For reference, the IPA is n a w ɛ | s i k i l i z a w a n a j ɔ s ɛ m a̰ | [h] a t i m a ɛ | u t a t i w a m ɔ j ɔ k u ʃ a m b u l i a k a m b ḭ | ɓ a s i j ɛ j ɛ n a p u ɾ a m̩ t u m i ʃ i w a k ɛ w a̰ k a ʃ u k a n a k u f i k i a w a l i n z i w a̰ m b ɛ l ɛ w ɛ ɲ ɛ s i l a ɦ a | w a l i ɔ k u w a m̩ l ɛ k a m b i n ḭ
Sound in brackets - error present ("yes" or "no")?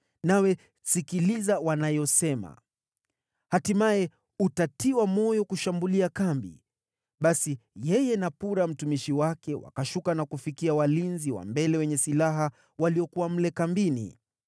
no